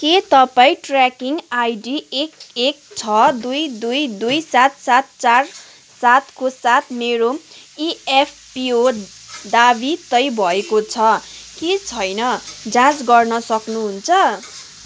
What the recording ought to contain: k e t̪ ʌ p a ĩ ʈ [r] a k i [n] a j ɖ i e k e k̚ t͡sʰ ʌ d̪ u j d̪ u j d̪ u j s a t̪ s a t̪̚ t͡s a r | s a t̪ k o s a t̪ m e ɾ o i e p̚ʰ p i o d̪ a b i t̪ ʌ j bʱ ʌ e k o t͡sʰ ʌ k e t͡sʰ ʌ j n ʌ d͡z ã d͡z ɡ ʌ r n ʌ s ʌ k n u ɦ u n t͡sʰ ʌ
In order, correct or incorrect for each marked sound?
correct, incorrect

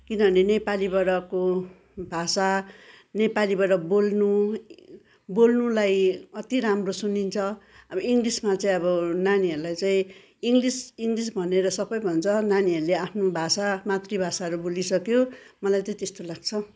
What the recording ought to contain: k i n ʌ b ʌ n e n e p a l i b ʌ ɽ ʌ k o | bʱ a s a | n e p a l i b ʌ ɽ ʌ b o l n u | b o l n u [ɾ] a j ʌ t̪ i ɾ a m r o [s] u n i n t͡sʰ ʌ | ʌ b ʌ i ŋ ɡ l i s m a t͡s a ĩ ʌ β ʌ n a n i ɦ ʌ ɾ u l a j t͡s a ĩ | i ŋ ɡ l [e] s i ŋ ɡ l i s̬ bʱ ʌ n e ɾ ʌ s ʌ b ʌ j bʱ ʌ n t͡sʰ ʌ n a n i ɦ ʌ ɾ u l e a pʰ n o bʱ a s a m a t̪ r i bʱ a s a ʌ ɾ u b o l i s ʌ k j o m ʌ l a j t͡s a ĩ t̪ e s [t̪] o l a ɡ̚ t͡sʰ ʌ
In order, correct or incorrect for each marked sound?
incorrect, correct, incorrect, correct

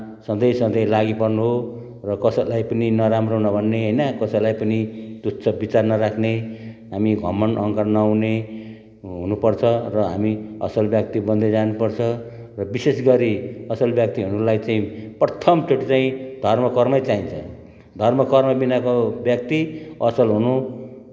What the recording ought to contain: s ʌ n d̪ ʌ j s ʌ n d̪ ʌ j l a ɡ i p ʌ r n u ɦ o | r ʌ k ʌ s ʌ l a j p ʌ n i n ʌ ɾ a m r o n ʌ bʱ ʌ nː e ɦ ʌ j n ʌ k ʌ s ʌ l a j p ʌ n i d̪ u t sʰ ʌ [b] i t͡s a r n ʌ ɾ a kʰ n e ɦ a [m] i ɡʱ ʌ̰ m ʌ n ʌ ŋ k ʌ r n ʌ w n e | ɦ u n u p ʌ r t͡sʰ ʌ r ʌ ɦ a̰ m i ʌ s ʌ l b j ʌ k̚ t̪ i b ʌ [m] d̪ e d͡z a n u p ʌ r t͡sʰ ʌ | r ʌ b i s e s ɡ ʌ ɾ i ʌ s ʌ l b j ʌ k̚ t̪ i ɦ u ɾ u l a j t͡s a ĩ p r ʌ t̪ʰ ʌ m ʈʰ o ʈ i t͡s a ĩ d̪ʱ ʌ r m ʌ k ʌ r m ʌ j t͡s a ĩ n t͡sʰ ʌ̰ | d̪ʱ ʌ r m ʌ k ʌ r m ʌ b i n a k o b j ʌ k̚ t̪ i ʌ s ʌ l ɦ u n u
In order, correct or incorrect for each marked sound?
correct, correct, incorrect

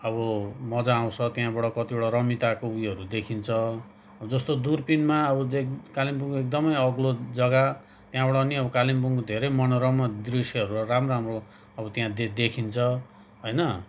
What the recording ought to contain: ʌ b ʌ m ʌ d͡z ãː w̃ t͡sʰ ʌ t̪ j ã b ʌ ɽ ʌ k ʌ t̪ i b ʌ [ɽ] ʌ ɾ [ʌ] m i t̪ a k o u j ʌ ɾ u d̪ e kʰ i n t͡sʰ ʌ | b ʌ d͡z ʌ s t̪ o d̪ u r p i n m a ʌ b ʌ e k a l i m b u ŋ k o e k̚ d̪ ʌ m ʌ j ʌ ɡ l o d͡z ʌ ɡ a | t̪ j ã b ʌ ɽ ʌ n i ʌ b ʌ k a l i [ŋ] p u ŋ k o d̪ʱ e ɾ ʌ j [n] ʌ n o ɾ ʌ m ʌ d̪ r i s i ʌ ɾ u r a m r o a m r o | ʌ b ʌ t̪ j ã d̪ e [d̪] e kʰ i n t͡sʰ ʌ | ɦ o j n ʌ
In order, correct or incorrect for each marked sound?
correct, correct, incorrect, incorrect, correct

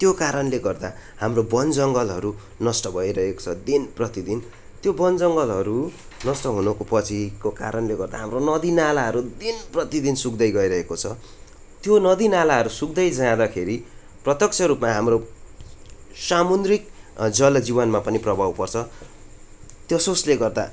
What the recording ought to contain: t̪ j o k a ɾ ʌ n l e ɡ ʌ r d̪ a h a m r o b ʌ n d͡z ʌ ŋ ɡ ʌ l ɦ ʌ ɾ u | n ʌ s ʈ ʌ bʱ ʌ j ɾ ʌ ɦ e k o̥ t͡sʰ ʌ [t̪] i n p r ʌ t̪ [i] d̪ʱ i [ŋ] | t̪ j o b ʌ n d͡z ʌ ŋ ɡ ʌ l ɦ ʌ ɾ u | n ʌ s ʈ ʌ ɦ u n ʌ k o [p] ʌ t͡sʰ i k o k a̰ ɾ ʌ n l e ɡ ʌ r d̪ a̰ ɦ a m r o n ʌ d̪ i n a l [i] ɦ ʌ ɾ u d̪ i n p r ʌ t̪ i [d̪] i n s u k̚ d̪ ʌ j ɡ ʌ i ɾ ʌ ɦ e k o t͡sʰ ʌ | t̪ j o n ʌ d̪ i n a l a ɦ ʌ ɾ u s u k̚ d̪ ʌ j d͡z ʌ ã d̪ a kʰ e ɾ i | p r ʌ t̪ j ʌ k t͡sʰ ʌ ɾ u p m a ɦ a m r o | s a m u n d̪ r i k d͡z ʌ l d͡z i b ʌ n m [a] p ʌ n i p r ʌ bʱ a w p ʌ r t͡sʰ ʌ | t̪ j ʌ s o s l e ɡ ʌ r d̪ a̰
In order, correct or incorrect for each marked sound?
incorrect, correct, incorrect, correct, incorrect, correct, correct

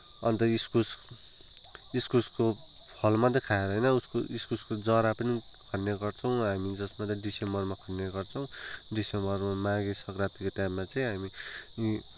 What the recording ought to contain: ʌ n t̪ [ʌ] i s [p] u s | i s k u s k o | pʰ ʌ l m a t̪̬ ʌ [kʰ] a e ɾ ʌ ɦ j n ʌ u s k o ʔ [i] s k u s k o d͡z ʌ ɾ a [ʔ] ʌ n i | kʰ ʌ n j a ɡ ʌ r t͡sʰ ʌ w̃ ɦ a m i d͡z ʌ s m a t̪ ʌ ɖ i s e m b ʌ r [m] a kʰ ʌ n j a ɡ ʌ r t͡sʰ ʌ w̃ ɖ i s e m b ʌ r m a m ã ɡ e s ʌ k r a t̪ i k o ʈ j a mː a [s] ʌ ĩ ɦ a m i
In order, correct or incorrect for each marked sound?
correct, incorrect, correct, correct, incorrect, correct, incorrect

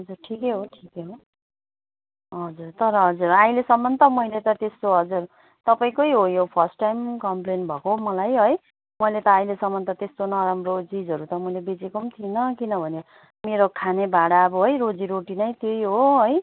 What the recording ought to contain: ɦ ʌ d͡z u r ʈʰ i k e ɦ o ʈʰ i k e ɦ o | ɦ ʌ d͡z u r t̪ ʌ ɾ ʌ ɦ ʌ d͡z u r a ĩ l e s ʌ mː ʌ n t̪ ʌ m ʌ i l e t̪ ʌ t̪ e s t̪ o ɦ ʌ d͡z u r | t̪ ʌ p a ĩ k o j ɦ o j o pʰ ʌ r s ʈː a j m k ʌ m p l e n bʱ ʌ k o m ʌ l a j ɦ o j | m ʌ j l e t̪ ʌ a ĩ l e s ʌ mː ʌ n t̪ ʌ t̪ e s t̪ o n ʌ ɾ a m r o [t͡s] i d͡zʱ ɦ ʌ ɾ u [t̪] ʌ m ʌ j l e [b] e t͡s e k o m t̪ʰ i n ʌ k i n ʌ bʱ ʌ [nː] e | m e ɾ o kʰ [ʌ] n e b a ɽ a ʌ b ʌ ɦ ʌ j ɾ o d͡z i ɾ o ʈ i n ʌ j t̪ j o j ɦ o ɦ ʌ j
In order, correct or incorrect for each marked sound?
correct, correct, correct, incorrect, incorrect

